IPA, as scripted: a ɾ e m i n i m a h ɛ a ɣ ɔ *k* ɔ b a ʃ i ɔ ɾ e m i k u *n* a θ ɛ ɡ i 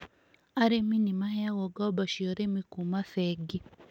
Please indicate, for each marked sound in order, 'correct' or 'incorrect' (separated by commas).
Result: incorrect, incorrect